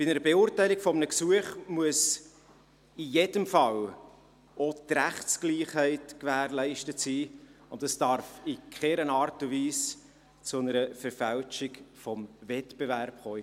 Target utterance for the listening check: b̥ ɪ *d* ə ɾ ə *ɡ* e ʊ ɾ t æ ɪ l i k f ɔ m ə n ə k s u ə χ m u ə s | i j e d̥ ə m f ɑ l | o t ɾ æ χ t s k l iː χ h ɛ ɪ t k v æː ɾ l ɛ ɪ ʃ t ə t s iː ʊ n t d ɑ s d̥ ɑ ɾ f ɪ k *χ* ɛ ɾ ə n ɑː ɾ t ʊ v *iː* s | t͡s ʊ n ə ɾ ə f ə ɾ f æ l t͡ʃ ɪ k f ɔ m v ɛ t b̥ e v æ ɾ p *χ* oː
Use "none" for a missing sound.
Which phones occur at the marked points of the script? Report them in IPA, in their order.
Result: n, b, χ, iː, χ

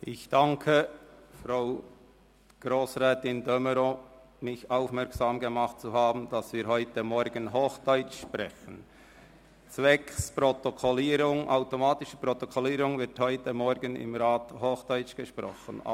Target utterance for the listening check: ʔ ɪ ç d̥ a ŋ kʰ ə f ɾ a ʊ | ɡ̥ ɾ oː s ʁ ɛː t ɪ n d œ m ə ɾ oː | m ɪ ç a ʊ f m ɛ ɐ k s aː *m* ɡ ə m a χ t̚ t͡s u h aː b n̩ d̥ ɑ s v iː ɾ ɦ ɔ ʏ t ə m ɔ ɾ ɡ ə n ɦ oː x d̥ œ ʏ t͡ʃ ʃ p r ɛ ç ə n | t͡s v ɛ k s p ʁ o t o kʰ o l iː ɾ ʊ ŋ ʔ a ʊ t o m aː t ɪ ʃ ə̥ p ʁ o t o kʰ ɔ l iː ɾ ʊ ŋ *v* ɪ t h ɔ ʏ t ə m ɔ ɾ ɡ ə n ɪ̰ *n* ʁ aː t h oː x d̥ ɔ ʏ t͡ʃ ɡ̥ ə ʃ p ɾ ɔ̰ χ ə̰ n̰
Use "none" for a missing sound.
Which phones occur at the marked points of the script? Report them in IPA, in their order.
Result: m, v, m

